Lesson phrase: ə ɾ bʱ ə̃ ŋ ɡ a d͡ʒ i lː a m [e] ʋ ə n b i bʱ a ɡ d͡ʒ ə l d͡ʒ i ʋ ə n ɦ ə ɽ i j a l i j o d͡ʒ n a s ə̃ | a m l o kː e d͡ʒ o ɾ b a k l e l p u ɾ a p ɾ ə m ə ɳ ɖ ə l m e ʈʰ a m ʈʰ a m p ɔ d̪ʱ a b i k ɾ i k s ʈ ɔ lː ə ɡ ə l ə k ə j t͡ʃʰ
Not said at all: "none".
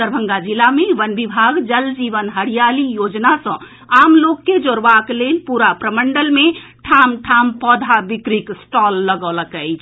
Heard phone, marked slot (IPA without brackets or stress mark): e